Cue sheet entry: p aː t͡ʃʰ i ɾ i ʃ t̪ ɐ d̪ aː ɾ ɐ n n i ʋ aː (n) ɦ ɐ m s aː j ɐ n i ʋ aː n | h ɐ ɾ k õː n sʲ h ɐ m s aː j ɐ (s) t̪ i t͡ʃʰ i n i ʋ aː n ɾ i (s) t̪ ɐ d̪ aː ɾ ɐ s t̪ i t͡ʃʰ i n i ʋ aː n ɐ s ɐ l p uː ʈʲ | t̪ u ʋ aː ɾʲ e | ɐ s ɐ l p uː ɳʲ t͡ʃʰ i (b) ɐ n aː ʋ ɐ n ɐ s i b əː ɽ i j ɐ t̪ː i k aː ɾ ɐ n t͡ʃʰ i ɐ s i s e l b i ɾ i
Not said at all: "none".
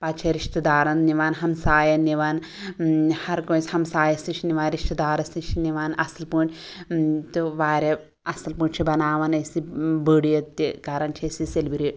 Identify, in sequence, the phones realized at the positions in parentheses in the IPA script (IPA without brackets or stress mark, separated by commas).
n, s, ʃ, b